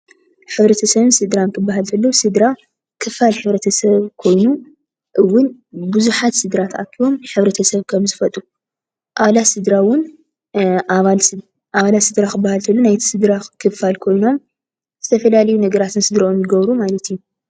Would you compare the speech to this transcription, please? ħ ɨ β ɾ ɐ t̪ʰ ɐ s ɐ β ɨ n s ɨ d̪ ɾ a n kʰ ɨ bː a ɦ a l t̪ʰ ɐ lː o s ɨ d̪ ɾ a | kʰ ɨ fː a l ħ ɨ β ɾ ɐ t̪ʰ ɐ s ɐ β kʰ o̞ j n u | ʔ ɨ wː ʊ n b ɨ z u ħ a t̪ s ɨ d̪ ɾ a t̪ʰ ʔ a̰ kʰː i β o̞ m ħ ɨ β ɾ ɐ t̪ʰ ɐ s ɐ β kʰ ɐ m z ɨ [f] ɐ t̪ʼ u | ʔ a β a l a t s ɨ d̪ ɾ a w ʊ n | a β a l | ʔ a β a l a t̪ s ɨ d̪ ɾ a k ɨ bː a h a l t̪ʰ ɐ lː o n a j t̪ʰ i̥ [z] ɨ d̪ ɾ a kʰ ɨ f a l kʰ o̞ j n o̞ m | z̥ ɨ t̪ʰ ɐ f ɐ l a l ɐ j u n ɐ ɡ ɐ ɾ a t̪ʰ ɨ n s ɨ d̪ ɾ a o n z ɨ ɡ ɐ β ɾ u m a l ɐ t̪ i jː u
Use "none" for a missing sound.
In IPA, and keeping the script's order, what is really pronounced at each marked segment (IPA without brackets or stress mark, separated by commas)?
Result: f, s